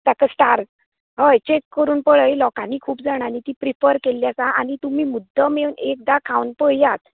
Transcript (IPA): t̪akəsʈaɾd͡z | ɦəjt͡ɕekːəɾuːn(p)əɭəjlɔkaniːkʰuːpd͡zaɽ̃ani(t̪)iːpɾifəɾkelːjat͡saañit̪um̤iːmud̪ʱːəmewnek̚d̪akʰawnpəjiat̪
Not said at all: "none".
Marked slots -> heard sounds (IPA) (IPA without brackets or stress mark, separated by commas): p, t̪